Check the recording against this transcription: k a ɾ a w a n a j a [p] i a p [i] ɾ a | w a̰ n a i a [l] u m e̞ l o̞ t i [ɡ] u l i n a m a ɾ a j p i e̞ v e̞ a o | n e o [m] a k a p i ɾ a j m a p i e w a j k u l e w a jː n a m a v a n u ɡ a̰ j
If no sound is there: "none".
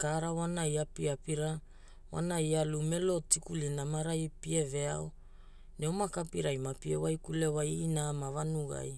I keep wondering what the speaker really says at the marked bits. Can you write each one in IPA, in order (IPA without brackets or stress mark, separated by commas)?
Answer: p, i, l, k, m